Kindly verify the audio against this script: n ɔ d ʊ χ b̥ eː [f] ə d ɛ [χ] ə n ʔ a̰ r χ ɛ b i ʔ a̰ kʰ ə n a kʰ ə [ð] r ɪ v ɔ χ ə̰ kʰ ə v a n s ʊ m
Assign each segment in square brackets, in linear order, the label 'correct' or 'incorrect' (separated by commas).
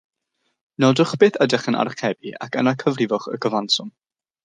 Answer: incorrect, correct, incorrect